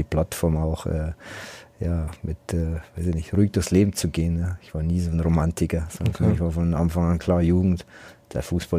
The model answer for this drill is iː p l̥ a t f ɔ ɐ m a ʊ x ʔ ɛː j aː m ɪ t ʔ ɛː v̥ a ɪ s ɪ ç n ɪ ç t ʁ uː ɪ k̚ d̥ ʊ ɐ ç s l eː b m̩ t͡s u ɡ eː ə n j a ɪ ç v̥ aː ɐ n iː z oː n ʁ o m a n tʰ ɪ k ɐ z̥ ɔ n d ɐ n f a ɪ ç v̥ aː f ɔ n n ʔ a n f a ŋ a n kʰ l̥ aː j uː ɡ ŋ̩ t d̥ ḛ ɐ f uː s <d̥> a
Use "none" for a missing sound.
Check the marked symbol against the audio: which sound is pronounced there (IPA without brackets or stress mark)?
b̥